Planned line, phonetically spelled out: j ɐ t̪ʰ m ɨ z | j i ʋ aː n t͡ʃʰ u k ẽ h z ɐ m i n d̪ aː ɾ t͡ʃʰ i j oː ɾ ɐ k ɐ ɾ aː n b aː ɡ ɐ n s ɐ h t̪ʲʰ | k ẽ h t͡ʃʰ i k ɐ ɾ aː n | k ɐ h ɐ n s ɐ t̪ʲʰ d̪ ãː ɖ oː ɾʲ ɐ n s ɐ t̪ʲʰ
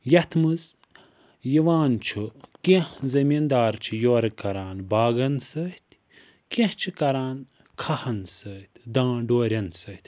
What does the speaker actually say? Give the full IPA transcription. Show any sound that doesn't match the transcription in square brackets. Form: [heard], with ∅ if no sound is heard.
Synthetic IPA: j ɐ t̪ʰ m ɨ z | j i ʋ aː n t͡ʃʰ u k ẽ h z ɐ m i n d̪ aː ɾ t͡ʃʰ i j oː ɾ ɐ k ɐ ɾ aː n b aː ɡ ɐ n s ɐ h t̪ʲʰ | k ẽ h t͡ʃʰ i k ɐ ɾ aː n | [kʰ] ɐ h ɐ n s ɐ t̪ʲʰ d̪ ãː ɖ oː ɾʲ ɐ n s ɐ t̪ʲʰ